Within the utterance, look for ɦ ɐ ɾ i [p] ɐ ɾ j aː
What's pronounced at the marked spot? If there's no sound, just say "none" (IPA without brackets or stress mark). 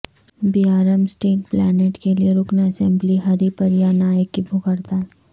p